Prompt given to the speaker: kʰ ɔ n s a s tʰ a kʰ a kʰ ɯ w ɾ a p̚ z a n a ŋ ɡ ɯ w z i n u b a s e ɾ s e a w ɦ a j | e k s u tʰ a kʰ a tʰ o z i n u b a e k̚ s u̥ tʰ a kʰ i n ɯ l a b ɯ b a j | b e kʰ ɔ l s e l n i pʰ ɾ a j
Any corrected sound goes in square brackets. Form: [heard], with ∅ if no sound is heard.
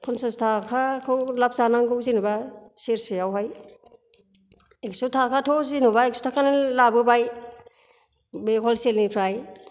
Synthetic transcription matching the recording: kʰ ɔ n s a s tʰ a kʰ a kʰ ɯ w [l] a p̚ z a n a ŋ ɡ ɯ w z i n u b a s e ɾ s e a w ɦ a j | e k s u tʰ a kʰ a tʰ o z i n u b a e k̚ s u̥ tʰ a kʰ [a] n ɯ l a b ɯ b a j | b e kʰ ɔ l s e l n i pʰ ɾ a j